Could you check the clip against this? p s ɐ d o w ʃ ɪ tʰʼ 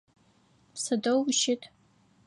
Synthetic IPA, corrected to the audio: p s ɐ d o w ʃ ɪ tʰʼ